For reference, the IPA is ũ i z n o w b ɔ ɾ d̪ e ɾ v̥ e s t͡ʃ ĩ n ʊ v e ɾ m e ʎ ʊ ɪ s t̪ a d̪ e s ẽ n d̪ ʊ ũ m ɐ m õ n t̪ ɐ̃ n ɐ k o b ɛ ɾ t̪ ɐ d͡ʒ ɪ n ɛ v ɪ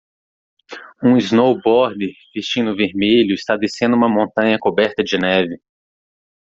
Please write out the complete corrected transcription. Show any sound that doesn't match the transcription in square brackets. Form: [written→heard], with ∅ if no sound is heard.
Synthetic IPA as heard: ũ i z n o w b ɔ ɾ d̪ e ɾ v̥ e s t͡ʃ ĩ n ʊ v e ɾ m e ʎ ʊ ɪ s t̪ a d̪ e s ẽ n d̪ ʊ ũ m ɐ m õ n t̪ ɐ̃ [n→ɲ] ɐ k o b ɛ ɾ t̪ ɐ d͡ʒ ɪ n ɛ v ɪ